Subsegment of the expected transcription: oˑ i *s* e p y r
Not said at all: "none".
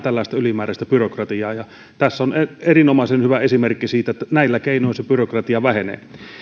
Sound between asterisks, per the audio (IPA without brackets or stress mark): s